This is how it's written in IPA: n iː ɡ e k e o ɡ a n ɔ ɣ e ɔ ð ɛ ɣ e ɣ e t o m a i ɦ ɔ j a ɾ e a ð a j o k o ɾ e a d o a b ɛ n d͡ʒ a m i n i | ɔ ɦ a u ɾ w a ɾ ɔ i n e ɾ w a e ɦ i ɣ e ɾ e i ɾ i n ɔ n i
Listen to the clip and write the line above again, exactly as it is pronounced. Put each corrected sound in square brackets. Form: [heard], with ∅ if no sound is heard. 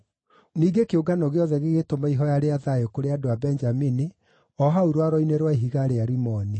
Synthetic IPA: n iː ɡ e k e o ɡ a n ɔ ɣ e ɔ ð ɛ ɣ e ɣ e t o m a i ɦ ɔ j a ɾ e a ð a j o k o ɾ e a d o a b ɛ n d͡ʒ a m i n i | ɔ ɦ a u ɾ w a ɾ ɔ i n e ɾ w a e ɦ i ɣ [a] ɾ e [a] ɾ i [m] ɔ n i